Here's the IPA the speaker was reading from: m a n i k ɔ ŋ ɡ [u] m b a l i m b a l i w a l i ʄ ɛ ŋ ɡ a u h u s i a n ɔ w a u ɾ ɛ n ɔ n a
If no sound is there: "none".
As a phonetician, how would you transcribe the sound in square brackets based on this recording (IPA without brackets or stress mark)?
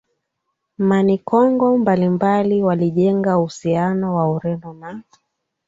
ɔ